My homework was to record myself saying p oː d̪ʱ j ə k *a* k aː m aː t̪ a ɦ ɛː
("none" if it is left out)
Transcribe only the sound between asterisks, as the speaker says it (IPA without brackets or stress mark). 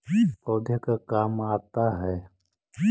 a